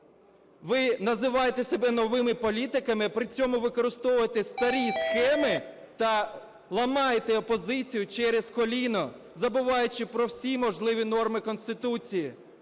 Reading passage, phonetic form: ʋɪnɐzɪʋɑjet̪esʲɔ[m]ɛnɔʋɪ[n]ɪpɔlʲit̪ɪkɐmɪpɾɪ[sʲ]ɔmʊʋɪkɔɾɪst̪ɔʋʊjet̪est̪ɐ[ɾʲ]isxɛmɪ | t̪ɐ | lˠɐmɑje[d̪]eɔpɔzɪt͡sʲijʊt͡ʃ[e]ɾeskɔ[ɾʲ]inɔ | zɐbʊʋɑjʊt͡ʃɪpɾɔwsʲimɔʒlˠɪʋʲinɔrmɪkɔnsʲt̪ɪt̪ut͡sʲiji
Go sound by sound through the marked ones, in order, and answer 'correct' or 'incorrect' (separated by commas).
incorrect, incorrect, incorrect, correct, incorrect, incorrect, incorrect